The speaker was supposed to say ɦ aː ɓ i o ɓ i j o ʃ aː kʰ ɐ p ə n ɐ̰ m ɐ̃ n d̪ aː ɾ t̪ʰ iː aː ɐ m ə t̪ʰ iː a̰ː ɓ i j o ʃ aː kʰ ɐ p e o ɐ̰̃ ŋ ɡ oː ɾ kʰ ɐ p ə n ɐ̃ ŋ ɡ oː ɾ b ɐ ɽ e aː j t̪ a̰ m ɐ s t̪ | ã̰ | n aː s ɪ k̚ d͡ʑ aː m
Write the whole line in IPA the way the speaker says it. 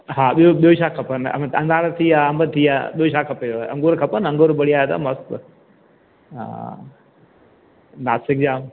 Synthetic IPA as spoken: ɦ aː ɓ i o ɓ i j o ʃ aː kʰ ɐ p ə n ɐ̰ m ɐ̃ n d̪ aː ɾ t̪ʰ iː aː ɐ m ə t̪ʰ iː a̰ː ɓ i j o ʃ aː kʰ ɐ p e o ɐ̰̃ ŋ ɡ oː ɾ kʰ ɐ p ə n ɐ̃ ŋ ɡ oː ɾ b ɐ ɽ i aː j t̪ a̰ m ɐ s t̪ | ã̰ | n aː s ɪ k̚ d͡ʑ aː m